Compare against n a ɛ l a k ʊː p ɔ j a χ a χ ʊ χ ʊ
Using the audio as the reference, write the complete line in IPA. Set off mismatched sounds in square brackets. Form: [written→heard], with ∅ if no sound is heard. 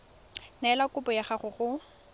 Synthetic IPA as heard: n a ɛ l a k [ʊː→ʊ] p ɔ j a χ a χ ʊ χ ʊ